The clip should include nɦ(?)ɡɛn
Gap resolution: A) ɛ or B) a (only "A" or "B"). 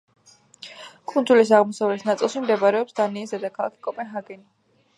B